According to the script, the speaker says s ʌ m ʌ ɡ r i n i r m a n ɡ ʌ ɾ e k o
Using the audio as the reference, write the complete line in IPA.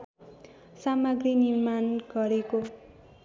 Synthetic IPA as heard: s a m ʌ ɡ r i n i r m a n ɡ ʌ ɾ e k o